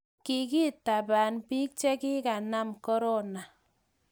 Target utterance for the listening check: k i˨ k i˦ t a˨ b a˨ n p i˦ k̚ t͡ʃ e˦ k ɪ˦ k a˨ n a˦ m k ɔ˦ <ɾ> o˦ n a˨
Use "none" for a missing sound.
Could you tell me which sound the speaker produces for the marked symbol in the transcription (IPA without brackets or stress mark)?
ɾ